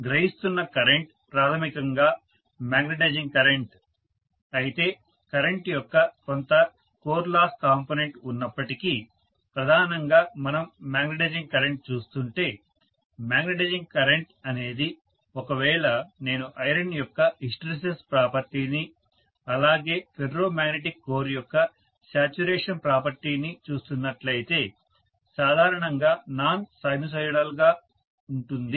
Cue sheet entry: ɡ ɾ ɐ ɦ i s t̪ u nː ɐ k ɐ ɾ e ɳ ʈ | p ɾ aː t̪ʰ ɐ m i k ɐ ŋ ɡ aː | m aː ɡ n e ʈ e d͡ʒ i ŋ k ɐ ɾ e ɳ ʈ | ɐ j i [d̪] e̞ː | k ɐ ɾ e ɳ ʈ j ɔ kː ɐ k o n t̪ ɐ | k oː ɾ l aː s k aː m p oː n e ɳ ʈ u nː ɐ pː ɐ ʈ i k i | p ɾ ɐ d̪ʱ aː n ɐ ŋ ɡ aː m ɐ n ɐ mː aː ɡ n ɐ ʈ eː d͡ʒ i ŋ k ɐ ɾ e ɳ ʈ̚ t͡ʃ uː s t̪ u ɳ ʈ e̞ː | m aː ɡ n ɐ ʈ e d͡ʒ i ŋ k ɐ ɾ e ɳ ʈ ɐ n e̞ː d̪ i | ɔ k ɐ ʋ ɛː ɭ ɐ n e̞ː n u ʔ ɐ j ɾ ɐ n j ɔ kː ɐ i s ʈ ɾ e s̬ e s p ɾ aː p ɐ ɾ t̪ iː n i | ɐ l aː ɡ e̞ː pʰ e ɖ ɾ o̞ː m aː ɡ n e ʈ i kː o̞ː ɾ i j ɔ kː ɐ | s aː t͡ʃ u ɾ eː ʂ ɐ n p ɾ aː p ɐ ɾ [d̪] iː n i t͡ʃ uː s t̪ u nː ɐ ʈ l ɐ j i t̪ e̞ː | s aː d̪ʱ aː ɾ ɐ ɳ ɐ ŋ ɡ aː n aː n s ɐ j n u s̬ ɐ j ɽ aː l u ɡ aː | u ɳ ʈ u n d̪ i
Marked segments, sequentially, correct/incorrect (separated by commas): incorrect, incorrect